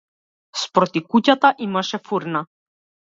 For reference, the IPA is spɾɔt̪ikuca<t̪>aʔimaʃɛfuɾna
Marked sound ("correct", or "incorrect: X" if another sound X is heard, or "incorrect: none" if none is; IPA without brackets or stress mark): correct